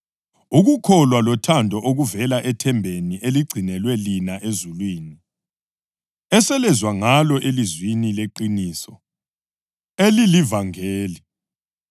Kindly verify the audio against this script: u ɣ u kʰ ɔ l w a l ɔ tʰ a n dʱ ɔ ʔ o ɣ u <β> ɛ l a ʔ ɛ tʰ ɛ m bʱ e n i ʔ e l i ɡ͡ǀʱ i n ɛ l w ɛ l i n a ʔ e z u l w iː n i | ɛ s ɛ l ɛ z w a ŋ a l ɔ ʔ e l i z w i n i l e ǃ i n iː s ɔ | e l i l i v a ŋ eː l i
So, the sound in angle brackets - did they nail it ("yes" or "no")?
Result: no